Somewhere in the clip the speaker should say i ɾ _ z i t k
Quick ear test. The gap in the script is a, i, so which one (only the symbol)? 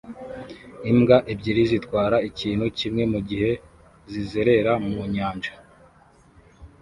i